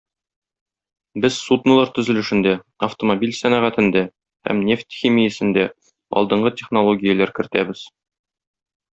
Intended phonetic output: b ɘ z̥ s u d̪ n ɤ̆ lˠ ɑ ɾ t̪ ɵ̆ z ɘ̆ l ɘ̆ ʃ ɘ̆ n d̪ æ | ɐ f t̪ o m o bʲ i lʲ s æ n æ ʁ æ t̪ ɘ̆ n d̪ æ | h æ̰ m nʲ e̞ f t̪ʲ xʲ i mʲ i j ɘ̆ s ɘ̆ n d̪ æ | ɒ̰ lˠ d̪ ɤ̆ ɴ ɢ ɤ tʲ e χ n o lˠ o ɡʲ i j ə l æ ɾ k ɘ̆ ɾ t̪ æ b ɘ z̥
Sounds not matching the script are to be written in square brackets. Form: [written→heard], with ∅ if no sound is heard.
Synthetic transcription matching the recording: b ɘ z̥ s u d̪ n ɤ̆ lˠ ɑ ɾ t̪ ɵ̆ z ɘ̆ l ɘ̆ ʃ ɘ̆ n d̪ æ | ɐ f t̪ o m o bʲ i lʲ s æ n æ ʁ æ t̪ ɘ̆ n d̪ æ | h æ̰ m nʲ e̞ f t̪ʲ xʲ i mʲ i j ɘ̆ s ɘ̆ n d̪ æ | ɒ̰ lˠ d̪ ɤ̆ ɴ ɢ ɤ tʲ e χ n o lˠ o ɡʲ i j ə l æ ɾ k ɘ̆ ɾ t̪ æ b ɘ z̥